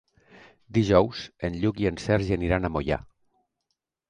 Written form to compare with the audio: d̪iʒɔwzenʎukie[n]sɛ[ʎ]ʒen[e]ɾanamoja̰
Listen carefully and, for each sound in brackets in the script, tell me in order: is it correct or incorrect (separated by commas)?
correct, incorrect, incorrect